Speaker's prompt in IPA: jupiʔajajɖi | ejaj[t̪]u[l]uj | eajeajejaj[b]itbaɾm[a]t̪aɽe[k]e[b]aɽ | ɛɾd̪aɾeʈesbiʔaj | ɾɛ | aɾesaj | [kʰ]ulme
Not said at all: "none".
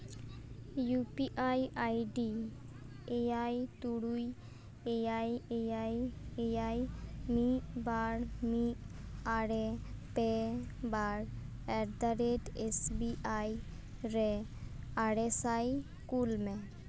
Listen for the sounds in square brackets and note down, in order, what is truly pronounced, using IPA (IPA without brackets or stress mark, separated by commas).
t̪, ɽ, m, i, p, b, k